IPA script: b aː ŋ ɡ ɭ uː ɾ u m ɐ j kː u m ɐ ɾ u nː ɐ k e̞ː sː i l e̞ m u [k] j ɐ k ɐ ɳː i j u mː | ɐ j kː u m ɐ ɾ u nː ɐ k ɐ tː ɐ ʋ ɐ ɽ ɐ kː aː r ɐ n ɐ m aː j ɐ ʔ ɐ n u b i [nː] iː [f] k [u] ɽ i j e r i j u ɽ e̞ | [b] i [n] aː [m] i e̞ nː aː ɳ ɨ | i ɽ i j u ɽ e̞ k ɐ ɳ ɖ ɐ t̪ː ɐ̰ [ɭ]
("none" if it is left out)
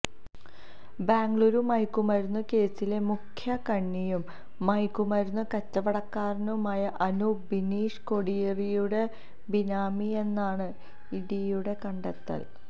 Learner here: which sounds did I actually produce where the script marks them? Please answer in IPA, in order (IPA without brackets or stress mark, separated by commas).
kʰ, n, ʂ, o, b, n, m, l